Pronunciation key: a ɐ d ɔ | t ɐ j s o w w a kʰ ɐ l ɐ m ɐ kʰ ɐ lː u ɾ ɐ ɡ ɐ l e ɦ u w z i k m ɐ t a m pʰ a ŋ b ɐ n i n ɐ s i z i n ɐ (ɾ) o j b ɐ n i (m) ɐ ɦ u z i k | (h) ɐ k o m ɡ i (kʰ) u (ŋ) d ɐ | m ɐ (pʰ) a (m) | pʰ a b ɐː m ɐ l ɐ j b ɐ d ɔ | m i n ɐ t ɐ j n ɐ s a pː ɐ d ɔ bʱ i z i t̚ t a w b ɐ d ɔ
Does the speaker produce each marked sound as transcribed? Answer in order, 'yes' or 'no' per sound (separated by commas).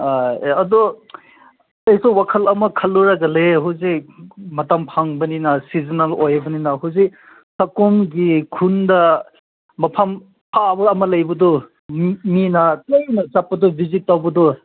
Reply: no, no, no, yes, no, yes, yes